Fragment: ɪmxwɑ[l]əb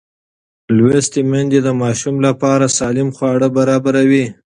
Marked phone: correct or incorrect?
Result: incorrect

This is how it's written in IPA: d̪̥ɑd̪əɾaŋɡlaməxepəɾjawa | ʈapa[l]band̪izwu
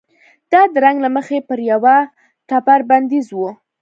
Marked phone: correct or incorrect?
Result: incorrect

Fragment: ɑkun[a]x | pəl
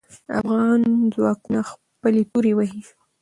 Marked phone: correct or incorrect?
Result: correct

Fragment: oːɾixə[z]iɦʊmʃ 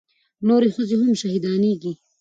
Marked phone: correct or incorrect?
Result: correct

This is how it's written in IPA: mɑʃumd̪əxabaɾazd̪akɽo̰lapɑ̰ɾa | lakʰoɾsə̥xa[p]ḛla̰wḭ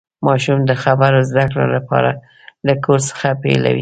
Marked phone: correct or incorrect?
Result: correct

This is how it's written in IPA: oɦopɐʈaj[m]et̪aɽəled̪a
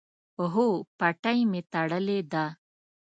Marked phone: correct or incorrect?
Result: correct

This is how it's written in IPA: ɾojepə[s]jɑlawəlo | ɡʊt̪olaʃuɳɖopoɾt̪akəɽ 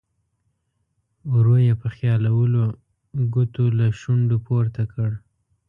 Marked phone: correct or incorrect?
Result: incorrect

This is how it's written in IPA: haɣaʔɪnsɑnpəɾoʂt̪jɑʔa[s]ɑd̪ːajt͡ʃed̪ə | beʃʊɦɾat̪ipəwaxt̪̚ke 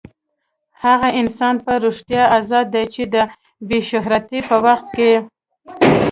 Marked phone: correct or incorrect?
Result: incorrect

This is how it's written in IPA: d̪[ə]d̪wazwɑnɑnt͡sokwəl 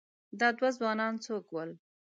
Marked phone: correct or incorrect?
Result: incorrect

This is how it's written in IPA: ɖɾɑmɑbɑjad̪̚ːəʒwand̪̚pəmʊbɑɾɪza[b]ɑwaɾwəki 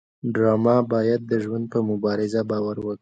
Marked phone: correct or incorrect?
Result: correct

